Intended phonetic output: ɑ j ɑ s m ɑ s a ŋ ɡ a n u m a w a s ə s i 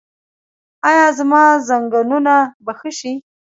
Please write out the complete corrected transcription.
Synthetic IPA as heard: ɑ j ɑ z m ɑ z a ŋ ɡ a n u n a b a x ə ʃ i